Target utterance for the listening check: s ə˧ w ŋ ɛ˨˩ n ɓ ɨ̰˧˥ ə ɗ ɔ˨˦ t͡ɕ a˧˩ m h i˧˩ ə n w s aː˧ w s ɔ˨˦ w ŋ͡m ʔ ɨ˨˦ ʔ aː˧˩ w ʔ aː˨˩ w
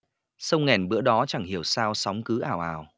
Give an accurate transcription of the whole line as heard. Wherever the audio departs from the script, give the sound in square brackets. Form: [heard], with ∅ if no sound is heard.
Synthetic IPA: s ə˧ w ŋ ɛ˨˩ n ɓ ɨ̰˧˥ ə ɗ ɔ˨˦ t͡ɕ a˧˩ [ŋ] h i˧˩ ə [∅] w s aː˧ w s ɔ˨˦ w ŋ͡m [k] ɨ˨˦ ʔ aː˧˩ w ʔ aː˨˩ w